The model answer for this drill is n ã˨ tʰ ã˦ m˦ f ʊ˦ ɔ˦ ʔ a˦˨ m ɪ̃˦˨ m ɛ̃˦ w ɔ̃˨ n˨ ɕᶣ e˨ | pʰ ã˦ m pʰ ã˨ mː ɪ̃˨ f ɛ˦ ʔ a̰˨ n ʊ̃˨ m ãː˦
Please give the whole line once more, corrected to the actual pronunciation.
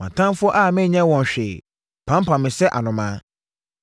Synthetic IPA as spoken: m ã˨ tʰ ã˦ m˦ f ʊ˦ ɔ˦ ʔ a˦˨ m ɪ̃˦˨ ɲ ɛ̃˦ w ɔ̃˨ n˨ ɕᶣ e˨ | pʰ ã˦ m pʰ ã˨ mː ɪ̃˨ s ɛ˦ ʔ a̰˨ n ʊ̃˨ m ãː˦